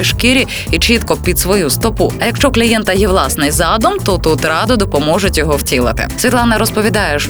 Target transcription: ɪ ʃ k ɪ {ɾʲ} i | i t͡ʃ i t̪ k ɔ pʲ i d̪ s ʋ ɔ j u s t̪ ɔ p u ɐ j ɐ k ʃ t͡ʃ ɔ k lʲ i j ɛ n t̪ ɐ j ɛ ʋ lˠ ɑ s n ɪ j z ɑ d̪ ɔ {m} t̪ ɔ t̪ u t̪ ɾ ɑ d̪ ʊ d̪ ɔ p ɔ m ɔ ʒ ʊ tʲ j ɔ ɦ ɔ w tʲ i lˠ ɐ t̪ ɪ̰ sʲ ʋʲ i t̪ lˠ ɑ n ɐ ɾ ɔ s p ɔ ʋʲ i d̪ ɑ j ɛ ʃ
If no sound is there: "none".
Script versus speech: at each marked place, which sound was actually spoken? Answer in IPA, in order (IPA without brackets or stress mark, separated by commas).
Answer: ɾʲ, m